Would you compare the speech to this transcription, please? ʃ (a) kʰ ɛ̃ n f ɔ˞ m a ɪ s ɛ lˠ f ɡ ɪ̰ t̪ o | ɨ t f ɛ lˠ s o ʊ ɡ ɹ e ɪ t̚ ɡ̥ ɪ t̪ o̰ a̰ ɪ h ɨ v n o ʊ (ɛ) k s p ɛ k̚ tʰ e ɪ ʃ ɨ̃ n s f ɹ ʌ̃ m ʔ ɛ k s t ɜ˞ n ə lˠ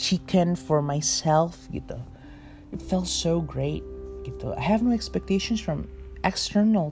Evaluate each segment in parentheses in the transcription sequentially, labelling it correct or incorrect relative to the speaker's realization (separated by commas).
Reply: incorrect, correct